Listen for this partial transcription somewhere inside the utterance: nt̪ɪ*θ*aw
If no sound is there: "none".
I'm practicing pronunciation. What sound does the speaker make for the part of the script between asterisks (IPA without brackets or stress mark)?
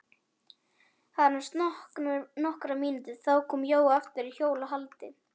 θ